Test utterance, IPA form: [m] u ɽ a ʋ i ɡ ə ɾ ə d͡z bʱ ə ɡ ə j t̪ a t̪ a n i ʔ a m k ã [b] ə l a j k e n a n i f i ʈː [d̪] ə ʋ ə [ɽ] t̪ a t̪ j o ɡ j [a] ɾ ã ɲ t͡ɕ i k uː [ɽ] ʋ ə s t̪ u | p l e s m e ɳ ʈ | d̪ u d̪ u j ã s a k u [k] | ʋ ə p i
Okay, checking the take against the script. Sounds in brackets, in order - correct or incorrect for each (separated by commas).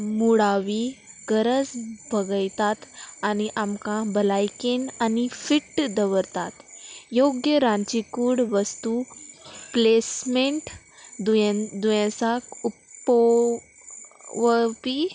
correct, correct, correct, incorrect, incorrect, correct, incorrect